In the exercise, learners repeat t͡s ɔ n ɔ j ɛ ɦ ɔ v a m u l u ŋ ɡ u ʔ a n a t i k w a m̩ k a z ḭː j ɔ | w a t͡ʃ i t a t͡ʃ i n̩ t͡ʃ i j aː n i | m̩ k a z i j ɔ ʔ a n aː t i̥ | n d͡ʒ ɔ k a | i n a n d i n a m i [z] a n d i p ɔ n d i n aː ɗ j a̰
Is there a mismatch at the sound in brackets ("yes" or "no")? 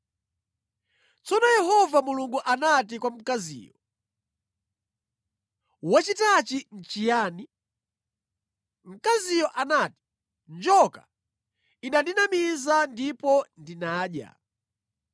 no